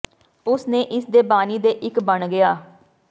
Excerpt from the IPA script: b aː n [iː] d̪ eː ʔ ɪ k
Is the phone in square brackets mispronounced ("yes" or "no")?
no